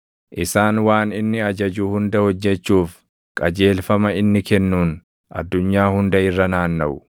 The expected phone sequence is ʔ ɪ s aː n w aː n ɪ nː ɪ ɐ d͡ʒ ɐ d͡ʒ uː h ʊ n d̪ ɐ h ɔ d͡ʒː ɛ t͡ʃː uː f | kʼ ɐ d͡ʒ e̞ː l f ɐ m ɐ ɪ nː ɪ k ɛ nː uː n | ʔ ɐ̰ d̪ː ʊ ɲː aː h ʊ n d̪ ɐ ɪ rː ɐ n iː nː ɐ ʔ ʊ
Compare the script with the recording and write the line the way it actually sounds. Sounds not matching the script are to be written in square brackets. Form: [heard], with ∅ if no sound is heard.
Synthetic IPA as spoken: ʔ ɪ s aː n w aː n ɪ nː ɪ ɐ d͡ʒ ɐ d͡ʒ uː h ʊ n d̪ ɐ h ɔ d͡ʒː ɛ t͡ʃː uː f | kʼ ɐ d͡ʒ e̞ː l f ɐ m ɐ ɪ nː ɪ k ɛ nː uː n | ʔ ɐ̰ d̪ː ʊ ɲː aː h ʊ n d̪ ɐ ɪ rː ɐ n [aː] nː ɐ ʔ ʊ